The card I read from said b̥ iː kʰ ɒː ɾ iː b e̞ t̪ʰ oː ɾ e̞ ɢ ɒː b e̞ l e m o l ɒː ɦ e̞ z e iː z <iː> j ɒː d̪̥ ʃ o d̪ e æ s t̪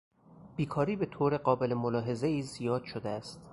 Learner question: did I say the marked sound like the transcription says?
no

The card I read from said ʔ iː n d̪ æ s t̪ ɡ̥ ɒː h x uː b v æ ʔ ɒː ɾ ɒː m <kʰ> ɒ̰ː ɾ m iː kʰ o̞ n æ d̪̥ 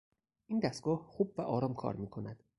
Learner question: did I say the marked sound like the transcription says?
yes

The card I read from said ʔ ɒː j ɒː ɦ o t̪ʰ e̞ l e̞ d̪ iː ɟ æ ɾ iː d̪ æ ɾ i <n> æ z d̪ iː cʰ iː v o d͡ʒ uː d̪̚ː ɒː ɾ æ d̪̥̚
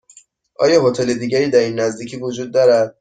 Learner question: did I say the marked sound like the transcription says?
no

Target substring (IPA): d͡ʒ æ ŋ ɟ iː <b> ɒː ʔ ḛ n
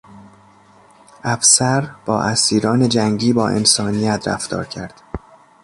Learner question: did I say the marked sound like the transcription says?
yes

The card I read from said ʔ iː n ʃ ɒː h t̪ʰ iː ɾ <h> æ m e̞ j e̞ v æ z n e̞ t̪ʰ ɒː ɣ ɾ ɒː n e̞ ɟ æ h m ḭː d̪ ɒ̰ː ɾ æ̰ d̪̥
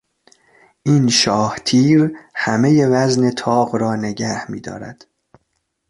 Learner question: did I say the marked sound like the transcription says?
yes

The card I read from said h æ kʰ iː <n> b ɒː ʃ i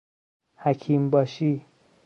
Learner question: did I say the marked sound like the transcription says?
no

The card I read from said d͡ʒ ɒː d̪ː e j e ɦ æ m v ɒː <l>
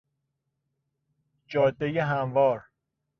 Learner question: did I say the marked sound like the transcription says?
no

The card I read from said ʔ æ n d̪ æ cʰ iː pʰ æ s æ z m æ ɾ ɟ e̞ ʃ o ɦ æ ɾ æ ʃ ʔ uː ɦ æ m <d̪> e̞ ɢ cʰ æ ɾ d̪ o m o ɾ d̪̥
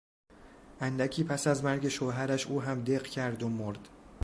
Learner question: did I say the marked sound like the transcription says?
yes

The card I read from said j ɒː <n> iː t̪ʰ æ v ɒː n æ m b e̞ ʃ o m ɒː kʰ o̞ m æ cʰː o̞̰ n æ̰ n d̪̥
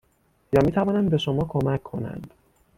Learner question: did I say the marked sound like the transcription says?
no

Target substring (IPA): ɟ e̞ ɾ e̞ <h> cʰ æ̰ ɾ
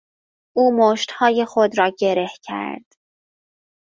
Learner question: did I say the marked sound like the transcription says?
yes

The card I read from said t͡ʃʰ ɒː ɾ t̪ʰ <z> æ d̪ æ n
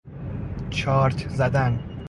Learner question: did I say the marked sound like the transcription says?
yes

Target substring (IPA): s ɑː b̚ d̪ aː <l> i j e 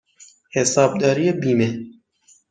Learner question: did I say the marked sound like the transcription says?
no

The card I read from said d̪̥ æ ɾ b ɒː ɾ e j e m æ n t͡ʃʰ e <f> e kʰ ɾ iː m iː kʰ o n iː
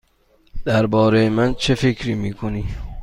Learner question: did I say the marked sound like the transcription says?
yes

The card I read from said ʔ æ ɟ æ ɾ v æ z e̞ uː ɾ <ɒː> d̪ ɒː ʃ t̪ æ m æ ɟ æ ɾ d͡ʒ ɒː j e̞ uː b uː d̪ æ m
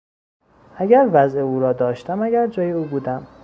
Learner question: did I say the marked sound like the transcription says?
yes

